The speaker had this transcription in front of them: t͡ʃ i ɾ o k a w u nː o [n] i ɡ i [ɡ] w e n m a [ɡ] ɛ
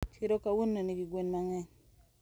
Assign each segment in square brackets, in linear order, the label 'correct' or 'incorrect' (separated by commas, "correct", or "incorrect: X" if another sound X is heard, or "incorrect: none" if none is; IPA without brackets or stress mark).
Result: correct, correct, incorrect: ŋ